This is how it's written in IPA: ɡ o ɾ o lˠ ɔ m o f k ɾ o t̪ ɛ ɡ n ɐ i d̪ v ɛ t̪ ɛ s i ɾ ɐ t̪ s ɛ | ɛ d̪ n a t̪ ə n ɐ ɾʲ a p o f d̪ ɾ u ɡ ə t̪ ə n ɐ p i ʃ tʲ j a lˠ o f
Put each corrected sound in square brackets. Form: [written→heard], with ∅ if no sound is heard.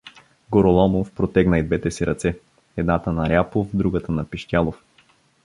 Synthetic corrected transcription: ɡ o ɾ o lˠ ɔ m o f [k→p] ɾ o t̪ ɛ ɡ n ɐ i d̪ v ɛ t̪ ɛ s i ɾ ɐ t̪ s ɛ | ɛ d̪ n a t̪ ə n ɐ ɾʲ a p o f d̪ ɾ u ɡ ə t̪ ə n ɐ p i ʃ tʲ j a lˠ o f